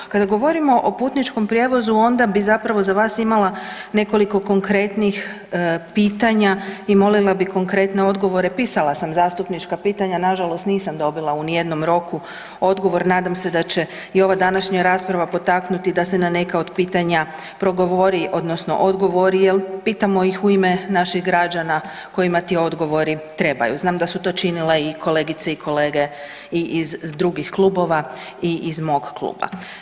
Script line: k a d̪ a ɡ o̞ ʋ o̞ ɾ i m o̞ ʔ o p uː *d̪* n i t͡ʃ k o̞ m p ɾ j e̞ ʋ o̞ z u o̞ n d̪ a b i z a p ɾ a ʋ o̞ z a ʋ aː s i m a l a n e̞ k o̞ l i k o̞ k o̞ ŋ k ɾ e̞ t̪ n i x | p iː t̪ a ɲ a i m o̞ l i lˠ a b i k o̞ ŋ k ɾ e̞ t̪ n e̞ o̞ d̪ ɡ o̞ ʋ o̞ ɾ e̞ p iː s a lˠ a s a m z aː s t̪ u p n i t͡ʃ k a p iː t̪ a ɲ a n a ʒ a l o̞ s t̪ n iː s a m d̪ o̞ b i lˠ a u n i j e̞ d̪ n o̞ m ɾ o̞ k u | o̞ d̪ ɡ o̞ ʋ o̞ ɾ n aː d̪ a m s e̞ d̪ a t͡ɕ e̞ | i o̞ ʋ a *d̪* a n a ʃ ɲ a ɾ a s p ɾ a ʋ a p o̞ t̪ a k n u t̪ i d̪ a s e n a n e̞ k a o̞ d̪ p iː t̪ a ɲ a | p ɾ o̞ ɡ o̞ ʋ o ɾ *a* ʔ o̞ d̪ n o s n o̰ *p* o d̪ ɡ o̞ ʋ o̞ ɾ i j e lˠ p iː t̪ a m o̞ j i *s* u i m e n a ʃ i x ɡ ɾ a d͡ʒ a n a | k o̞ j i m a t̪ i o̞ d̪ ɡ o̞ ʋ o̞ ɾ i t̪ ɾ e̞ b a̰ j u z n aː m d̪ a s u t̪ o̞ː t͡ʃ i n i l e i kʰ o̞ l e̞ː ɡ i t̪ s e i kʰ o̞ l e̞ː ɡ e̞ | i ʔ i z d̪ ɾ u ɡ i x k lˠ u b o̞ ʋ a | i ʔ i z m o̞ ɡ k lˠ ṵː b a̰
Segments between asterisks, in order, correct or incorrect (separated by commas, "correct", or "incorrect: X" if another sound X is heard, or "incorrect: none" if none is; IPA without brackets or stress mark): incorrect: t̪, correct, incorrect: i, incorrect: ʔ, incorrect: x